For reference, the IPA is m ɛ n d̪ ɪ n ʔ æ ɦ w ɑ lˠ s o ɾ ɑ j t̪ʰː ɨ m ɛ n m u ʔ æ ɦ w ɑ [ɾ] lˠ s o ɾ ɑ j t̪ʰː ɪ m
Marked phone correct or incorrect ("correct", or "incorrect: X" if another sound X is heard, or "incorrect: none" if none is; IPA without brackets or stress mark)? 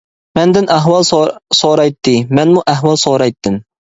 incorrect: none